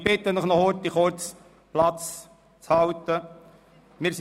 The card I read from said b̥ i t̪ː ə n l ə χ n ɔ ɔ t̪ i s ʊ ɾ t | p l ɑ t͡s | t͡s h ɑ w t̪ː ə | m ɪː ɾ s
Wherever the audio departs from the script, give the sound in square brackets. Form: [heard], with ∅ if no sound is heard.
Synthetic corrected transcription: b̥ [ɪ] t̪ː ə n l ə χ n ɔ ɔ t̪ i [χ] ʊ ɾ [t͡s] | p l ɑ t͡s | t͡s h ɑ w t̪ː ə | m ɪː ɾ s

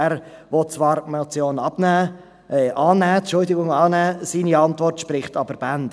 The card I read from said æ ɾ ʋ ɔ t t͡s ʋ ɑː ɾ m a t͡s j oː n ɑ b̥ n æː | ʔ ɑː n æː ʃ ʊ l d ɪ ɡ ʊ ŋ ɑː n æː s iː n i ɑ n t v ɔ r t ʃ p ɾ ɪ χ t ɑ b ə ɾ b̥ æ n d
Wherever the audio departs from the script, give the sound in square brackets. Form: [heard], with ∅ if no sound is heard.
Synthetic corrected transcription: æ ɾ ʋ ɔ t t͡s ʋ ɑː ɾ m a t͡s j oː n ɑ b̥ n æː | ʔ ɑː n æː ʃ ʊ l d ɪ ɡ ʊ ŋ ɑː n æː s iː n i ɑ n t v ɔ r t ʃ p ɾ ɪ χ t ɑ b ə ɾ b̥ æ n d

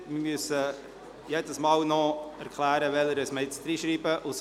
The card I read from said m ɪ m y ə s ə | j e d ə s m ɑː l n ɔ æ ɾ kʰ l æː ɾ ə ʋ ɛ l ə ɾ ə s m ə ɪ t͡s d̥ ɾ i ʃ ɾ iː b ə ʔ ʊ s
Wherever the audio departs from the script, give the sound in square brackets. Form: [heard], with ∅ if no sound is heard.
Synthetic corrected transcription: m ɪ m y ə s ə | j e d ə s m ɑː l n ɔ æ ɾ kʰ l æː ɾ ə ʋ ɛ l ə ɾ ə s m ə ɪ t͡s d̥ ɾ i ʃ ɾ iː b ə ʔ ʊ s

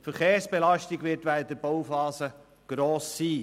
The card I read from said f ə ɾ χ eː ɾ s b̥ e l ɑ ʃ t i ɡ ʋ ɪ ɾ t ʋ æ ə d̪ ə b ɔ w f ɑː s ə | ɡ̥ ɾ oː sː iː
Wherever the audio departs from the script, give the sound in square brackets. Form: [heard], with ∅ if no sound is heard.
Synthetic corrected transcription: f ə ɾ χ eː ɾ s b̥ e l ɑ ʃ t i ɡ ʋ ɪ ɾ t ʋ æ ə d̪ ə b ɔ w f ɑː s ə | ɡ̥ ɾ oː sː iː

